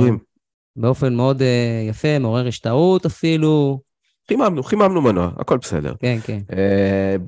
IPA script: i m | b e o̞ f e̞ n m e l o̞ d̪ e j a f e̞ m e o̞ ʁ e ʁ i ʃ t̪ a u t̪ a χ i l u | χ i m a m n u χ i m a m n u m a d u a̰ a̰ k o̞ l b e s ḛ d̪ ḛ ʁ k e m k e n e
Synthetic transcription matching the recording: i m | b e o̞ f e̞ n m e o̞ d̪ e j a f e̞ m e o̞ ʁ e ʁ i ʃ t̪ a u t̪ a f i l u | χ i m a m n u χ i m a m n u m a n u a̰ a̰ k o̞ l b e s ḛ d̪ ḛ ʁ k e n k e n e